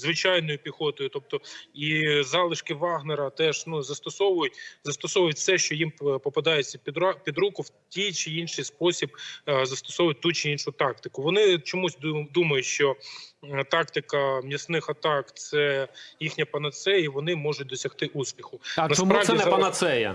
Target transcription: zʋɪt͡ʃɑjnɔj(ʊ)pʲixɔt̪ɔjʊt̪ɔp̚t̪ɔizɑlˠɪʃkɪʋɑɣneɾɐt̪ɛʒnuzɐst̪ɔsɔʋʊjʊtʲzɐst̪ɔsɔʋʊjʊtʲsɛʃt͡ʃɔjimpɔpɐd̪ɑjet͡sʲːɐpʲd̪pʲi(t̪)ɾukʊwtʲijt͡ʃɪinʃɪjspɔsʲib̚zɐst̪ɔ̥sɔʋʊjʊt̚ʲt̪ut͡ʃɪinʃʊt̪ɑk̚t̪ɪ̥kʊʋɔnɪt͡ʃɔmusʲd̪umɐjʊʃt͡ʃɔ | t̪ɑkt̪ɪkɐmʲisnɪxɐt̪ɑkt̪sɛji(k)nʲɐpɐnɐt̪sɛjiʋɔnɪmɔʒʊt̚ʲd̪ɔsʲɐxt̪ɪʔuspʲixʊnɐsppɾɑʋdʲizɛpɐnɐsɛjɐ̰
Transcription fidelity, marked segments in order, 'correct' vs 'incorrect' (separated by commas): correct, incorrect, incorrect